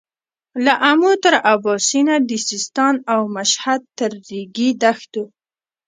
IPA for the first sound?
l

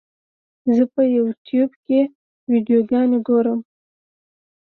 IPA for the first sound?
z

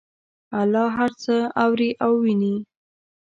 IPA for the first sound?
a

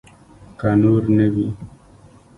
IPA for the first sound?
k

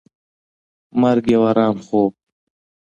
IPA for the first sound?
m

